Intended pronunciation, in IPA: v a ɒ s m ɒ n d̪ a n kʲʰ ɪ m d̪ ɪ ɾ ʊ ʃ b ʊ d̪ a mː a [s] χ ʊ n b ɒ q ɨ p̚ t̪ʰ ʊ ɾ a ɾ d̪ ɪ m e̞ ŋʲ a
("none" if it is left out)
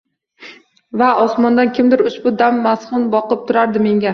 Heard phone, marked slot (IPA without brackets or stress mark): s